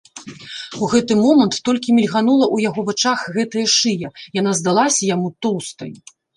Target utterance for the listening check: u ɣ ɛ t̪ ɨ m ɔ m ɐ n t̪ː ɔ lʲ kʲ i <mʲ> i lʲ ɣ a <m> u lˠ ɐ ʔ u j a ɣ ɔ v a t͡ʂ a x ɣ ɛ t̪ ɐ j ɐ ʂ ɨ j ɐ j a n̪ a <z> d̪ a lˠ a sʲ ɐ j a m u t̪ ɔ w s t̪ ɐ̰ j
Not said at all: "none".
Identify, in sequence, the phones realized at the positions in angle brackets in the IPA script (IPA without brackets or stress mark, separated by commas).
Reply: mʲ, n, z